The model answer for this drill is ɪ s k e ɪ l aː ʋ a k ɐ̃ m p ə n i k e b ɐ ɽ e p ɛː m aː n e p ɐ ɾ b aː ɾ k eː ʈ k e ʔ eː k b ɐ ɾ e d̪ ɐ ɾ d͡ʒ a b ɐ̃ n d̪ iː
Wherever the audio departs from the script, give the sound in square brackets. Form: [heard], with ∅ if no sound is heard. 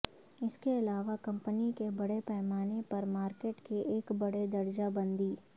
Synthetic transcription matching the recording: ɪ s k e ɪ l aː ʋ a k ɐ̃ m p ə n i k e b ɐ ɽ e p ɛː m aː n e p ɐ ɾ [m] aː ɾ k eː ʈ k e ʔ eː k b ɐ [ɽ] e d̪ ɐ ɾ d͡ʒ a b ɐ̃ n d̪ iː